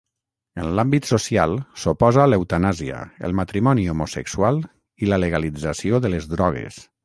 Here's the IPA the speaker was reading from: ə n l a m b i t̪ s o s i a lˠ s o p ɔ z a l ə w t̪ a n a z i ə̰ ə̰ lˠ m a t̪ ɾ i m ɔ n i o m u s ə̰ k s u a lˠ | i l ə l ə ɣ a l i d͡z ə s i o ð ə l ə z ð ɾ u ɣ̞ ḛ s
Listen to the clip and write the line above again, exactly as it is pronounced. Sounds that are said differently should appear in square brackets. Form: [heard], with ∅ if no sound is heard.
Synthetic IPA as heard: ə n l a m b i t̪ s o s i a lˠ s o p ɔ z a l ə w t̪ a n a z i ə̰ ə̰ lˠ m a t̪ ɾ i m ɔ n i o m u s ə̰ k s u a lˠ | i l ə l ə ɣ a l i d͡z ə s i o ð ə l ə z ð ɾ [ɔ] ɣ̞ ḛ s

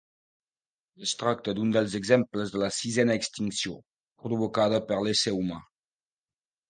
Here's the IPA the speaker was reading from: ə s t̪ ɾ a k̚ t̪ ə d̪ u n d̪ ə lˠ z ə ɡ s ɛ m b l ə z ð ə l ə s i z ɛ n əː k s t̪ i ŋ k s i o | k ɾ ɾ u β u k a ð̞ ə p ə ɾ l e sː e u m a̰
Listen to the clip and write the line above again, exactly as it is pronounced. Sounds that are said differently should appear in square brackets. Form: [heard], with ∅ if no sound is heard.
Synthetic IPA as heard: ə s t̪ ɾ a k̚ t̪ ə d̪ u n d̪ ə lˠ z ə ɡ [z] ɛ m [p] l ə z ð ə l ə s i z ɛ n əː k s t̪ i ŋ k s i o | [p] ɾ ɾ u β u k a ð̞ ə p ə ɾ l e [s] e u m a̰

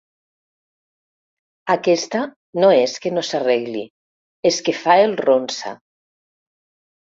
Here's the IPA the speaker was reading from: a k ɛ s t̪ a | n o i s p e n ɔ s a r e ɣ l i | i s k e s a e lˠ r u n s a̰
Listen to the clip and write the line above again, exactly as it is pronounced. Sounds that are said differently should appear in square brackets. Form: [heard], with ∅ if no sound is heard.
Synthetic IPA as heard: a k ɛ s t̪ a | n o [e] s [k] e n [o] s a r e ɣ l i | [e] s k e [f] a e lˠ r [o] n s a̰

